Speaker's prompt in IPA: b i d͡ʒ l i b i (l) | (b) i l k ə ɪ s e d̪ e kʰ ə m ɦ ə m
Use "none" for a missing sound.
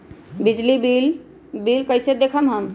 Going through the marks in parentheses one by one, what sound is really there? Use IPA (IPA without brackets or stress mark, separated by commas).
l, b